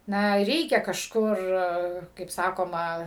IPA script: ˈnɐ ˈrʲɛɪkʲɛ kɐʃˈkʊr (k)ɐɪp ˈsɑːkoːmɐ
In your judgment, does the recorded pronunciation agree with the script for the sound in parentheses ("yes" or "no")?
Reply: yes